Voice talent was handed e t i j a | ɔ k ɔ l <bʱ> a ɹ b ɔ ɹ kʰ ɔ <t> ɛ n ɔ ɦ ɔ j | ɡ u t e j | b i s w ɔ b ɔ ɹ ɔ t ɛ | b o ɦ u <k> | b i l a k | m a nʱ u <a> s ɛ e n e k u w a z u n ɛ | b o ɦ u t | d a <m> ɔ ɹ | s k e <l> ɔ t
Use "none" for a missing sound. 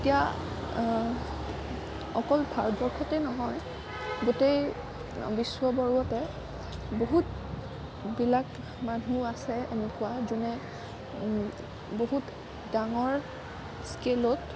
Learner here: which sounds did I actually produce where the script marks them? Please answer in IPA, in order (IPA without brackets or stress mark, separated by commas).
bʱ, t, t, a, ŋ, l